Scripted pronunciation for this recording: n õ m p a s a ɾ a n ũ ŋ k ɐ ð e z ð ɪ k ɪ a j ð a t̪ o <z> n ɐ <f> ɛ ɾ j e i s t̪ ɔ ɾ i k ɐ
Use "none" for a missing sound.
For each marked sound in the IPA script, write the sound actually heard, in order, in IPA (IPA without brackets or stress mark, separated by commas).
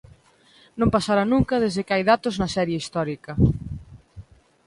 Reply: z, s